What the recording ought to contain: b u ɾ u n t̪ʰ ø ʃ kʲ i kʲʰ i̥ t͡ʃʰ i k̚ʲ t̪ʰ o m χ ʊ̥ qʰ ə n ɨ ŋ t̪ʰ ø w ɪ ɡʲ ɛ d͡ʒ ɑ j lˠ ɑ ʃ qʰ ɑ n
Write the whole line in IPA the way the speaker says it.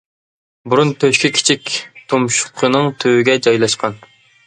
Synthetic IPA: b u ɾ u n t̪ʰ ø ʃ kʲ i kʲʰ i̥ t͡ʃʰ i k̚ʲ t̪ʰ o m ʃ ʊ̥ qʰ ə n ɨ ŋ t̪ʰ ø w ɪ ɡʲ ɛ d͡ʒ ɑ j lˠ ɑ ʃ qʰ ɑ n